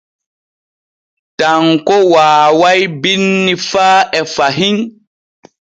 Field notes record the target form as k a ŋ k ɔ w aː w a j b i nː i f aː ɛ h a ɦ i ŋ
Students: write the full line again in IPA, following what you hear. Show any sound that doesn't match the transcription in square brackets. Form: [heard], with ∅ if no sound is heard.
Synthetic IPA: [t] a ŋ k ɔ w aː w a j b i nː i f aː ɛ [f] a ɦ i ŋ